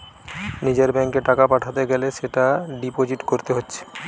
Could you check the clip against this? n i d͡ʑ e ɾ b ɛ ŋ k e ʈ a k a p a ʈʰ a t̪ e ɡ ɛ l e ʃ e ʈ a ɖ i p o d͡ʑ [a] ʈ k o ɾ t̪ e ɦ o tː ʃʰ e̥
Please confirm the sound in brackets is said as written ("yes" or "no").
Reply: no